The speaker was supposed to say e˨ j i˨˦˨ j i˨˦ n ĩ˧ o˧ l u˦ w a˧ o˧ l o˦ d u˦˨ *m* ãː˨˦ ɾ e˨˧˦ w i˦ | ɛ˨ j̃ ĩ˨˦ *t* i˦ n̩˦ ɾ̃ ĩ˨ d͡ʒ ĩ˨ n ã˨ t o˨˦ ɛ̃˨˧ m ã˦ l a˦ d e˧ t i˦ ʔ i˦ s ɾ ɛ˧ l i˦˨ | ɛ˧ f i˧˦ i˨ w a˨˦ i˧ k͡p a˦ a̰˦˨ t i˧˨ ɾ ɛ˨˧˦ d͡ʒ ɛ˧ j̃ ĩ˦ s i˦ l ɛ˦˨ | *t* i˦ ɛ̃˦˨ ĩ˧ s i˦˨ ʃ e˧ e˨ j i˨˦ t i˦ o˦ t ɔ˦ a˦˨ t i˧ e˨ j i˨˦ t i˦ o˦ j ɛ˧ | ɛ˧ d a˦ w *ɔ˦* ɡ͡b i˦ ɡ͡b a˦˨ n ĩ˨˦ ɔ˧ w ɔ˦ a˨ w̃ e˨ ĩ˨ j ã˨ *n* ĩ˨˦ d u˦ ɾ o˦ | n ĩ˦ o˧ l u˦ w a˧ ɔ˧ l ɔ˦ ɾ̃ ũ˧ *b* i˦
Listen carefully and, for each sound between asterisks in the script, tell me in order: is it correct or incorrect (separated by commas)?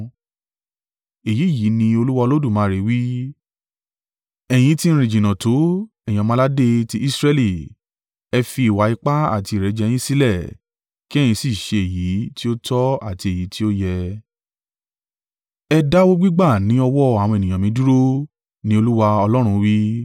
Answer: correct, correct, incorrect, incorrect, incorrect, incorrect